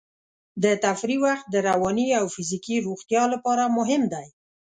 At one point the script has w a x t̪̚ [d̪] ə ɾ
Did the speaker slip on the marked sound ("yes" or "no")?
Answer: no